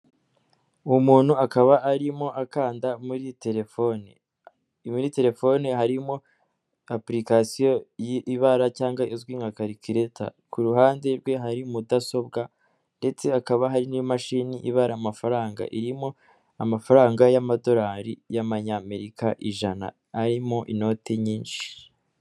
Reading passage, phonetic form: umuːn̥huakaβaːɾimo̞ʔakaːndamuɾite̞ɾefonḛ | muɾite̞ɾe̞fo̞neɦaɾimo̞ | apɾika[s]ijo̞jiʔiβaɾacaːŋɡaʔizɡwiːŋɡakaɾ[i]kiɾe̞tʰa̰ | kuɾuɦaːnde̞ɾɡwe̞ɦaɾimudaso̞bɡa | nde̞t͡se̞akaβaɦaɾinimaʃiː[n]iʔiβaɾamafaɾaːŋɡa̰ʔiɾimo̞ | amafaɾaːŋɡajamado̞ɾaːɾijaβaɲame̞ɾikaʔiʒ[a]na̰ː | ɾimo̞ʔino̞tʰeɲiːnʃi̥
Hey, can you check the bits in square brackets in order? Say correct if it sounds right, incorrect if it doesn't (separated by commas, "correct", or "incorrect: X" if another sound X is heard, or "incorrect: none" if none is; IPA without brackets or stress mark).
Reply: correct, correct, correct, correct